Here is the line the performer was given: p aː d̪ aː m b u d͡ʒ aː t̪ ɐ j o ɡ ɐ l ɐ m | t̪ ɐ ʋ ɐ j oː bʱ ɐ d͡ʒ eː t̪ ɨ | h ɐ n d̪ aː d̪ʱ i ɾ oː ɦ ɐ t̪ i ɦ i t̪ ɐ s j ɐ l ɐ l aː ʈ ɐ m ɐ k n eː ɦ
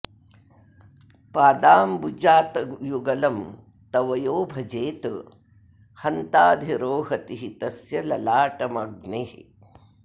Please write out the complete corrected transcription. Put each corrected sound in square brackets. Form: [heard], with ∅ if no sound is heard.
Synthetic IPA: p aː d̪ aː m b u d͡ʒ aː t̪ ɐ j [u] ɡ ɐ l ɐ m | t̪ ɐ ʋ ɐ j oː bʱ ɐ d͡ʒ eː t̪ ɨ | h ɐ n [t̪] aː d̪ʱ i ɾ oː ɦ ɐ t̪ i ɦ i t̪ ɐ s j ɐ l ɐ l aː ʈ ɐ m ɐ [ɡ] n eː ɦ